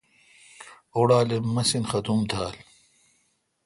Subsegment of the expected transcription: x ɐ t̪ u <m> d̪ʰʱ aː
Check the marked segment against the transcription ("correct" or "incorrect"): correct